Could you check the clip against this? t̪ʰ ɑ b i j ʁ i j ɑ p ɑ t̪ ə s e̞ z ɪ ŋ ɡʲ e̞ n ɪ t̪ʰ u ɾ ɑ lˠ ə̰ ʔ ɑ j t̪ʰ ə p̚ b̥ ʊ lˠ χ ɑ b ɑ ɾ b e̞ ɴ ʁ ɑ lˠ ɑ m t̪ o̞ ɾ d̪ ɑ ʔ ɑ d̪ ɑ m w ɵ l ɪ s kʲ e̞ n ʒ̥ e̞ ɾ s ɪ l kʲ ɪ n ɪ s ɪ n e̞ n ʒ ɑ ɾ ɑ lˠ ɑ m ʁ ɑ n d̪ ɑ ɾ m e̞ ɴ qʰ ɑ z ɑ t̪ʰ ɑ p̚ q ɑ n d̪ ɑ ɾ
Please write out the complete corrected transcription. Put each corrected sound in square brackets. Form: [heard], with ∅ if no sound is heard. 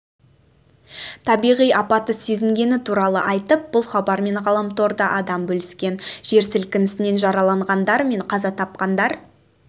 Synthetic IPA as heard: t̪ʰ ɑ b i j ʁ i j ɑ p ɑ t̪ ə s e̞ z ɪ ŋ ɡʲ e̞ n ɪ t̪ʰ u ɾ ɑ lˠ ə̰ ʔ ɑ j [t̪] ə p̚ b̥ ʊ lˠ χ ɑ b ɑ ɾ [m] e̞ ɴ ʁ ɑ lˠ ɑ m t̪ o̞ ɾ d̪ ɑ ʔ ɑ d̪ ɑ m [b] ɵ l ɪ s kʲ e̞ n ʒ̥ e̞ ɾ s ɪ l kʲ ɪ n ɪ s ɪ n e̞ n ʒ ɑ ɾ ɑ lˠ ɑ [ɴ] ʁ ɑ n d̪ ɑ ɾ m e̞ ɴ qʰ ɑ z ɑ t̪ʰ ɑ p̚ q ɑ n d̪ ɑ ɾ